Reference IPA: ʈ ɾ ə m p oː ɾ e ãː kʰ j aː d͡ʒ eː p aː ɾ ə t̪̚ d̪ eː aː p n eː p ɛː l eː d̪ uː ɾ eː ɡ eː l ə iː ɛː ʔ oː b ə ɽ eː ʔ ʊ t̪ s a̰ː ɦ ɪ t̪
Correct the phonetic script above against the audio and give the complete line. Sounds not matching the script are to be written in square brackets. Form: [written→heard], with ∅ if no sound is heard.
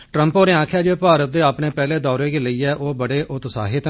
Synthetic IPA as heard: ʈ ɾ ə m p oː ɾ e ãː kʰ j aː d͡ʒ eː p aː ɾ ə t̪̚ d̪ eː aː p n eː p ɛː l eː d̪ [uː→ɔː] ɾ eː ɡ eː l ə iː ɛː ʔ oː b ə ɽ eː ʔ ʊ t̪ s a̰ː ɦ ɪ t̪